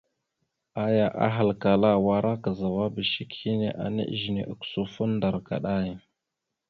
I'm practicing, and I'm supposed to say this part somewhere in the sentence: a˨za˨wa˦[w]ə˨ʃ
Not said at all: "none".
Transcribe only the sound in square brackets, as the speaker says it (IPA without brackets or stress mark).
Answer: b